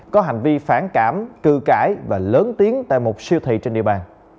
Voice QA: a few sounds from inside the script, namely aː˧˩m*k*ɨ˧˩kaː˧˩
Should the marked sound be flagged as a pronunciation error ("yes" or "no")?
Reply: no